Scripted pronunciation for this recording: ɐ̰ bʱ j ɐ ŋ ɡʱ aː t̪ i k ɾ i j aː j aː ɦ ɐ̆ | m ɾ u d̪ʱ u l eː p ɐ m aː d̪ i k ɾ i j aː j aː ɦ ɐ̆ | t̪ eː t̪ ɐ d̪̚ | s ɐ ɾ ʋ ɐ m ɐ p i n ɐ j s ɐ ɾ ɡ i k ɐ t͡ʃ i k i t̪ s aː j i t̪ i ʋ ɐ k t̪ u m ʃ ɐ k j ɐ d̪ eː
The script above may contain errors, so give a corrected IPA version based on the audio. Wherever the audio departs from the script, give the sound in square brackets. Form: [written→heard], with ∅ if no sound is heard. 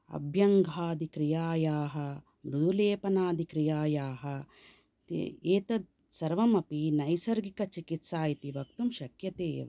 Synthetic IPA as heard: ɐ̰ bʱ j ɐ ŋ ɡʱ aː [t̪→d̪] i k ɾ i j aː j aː ɦ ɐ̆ | m ɾ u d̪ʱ u l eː p ɐ [m→n] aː d̪ i k ɾ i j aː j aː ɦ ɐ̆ | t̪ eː t̪ ɐ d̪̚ | s ɐ ɾ ʋ ɐ m ɐ p i n ɐ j s ɐ ɾ ɡ i k ɐ t͡ʃ i k i t̪ s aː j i t̪ i ʋ ɐ k t̪ u m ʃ ɐ k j ɐ [d̪→t̪] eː

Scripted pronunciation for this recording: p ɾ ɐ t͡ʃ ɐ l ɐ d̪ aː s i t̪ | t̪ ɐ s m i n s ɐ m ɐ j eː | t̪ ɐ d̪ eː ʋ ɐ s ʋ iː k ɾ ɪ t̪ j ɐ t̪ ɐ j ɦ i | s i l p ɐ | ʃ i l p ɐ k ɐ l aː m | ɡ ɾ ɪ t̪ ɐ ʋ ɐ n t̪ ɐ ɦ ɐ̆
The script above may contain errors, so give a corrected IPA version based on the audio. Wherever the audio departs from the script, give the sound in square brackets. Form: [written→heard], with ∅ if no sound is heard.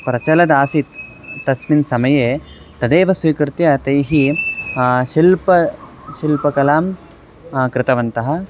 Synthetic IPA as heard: p ɾ ɐ t͡ʃ ɐ l ɐ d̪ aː s i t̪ | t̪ ɐ s m i n s ɐ m ɐ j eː | t̪ ɐ d̪ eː ʋ ɐ s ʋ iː k ɾ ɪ t̪ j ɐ t̪ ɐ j ɦ i | [s→ʃ] i l p ɐ | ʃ i l p ɐ k ɐ l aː m | [ɡ→k] ɾ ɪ t̪ ɐ ʋ ɐ n t̪ ɐ ɦ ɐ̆

